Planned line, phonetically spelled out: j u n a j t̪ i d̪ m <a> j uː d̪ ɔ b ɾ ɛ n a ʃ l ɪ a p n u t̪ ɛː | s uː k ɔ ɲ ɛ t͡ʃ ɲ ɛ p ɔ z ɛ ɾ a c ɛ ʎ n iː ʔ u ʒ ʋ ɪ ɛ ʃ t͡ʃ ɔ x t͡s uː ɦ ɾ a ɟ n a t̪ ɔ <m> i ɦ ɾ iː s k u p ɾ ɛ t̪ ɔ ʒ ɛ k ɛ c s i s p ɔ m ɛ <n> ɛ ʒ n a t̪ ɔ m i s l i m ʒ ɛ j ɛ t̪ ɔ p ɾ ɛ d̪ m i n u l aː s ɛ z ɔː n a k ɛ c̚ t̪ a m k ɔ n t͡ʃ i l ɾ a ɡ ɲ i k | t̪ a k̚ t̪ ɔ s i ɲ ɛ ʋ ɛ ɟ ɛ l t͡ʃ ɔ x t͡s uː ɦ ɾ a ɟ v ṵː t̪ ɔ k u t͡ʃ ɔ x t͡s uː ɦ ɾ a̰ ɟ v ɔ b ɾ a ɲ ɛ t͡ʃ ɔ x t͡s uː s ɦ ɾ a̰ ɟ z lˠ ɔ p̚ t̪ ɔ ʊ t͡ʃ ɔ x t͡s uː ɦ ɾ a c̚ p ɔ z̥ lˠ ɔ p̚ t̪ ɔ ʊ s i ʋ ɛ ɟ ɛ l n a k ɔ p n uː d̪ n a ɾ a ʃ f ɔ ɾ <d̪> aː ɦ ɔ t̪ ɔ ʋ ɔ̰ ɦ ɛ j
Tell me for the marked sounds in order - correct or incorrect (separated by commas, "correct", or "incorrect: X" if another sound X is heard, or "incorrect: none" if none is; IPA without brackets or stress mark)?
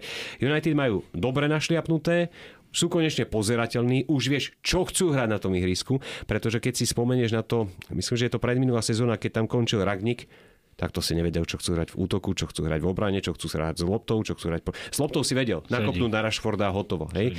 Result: correct, correct, incorrect: ɲ, correct